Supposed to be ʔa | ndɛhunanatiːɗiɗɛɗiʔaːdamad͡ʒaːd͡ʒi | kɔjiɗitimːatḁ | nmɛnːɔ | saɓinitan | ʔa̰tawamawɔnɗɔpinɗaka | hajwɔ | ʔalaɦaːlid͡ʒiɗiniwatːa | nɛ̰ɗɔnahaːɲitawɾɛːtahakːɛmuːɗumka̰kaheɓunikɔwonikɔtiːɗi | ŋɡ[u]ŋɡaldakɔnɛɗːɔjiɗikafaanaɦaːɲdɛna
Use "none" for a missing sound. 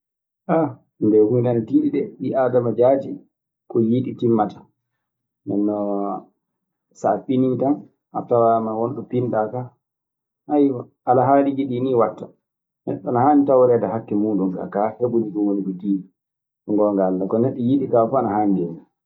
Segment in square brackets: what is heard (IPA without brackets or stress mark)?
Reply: ɔ